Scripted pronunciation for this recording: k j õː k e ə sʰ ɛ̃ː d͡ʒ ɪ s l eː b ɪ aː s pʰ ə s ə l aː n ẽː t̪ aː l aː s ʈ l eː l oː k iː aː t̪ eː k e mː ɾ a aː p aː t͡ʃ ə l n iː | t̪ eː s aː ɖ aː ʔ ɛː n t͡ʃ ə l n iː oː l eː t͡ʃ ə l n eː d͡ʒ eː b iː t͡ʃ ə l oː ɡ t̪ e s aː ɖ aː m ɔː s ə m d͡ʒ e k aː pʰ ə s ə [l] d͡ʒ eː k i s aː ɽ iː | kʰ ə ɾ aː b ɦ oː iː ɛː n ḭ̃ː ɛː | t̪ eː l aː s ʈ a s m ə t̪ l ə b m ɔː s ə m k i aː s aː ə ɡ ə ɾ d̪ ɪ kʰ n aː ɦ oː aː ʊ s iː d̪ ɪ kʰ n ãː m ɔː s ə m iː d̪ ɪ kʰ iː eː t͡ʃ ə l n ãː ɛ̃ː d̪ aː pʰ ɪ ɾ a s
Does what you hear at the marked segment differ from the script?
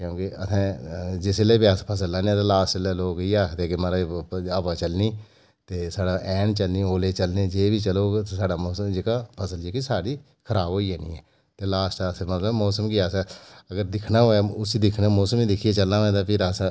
no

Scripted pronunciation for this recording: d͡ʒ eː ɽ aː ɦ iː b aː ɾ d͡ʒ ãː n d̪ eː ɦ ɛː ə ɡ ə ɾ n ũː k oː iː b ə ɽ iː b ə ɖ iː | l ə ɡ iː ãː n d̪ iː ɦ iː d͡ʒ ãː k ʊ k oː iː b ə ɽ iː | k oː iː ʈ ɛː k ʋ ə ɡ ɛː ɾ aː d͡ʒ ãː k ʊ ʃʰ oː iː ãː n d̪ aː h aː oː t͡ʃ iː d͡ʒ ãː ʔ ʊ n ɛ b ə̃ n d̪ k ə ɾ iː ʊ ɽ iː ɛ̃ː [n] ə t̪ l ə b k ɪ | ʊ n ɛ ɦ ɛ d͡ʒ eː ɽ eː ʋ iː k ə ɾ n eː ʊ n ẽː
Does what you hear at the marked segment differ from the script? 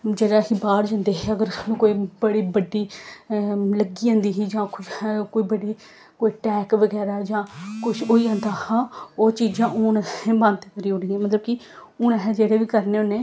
yes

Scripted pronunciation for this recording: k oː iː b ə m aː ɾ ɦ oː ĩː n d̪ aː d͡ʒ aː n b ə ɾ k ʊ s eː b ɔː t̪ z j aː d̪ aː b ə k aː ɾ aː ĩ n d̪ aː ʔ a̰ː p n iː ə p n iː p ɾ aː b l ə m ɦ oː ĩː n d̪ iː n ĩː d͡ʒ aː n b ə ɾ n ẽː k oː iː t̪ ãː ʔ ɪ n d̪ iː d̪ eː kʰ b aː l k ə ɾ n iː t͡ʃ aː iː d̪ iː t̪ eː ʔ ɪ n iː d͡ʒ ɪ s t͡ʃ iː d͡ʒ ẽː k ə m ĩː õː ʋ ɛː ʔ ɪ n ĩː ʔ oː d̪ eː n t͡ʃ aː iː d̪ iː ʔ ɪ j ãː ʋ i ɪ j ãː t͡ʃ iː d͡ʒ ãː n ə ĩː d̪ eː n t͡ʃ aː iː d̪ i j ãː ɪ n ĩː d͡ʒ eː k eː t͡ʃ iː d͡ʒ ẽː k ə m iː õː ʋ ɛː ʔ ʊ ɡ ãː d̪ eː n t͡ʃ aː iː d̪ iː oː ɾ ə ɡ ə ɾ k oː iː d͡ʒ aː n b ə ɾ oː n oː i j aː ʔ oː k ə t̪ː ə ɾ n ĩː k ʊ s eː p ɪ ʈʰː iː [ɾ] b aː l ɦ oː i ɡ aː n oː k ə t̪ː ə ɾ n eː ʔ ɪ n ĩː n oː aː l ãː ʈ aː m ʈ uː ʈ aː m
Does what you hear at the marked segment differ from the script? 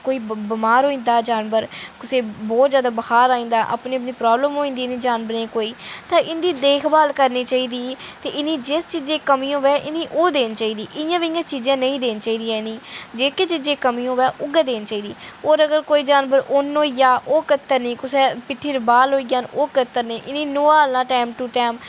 no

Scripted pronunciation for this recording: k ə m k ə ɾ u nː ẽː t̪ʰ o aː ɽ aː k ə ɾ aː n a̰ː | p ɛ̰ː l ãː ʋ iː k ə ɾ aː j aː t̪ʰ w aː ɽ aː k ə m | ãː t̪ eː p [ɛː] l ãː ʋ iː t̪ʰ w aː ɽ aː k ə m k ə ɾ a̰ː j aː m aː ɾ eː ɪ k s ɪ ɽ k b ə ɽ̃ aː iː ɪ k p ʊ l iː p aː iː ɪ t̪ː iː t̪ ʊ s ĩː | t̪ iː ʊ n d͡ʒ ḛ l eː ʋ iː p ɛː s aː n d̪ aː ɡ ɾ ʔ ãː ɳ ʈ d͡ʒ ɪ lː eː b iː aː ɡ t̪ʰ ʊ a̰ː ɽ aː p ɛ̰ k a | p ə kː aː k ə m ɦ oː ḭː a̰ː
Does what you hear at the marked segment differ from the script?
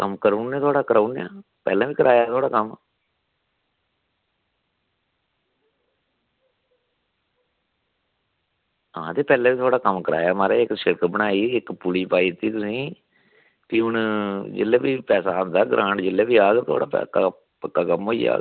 no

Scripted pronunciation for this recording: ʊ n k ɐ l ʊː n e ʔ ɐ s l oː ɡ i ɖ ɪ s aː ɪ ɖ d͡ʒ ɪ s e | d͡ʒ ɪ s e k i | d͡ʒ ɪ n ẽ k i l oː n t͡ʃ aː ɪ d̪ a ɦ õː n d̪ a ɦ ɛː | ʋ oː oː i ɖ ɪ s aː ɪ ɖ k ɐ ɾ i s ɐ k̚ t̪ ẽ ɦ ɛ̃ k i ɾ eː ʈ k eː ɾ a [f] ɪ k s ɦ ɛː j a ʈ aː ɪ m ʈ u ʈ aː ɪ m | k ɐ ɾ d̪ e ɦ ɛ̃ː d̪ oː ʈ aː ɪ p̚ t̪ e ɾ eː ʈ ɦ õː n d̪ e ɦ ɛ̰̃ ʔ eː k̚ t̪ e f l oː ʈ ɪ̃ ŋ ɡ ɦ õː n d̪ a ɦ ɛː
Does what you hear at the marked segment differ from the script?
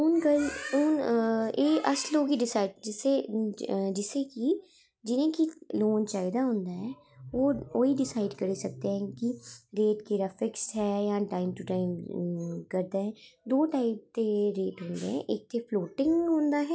no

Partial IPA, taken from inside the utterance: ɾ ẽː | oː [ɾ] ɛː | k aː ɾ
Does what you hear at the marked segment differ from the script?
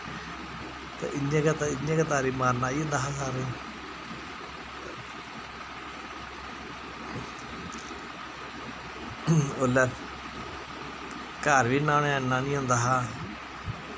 yes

